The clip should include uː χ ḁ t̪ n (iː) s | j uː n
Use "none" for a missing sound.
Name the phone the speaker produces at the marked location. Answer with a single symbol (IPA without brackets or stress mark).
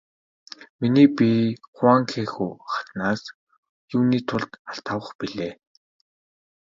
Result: aː